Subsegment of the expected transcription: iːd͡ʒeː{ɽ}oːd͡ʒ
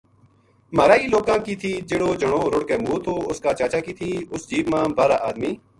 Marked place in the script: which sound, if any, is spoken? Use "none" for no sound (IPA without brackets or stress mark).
ɽ